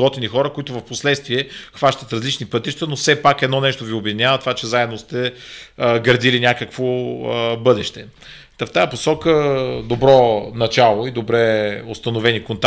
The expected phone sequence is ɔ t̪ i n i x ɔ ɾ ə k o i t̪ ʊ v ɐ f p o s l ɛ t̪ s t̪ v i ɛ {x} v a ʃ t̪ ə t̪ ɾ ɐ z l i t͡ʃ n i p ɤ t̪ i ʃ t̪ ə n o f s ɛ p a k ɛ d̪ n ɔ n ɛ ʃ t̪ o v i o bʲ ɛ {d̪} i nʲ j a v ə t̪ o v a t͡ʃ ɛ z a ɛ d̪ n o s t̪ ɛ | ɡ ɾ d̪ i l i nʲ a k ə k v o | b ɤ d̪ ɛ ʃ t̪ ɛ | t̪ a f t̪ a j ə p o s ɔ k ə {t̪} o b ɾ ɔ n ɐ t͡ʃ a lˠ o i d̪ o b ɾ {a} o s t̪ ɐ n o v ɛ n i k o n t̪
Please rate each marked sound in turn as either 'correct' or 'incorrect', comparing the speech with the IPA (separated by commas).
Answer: correct, correct, incorrect, incorrect